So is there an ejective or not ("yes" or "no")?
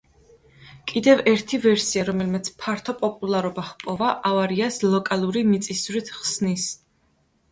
yes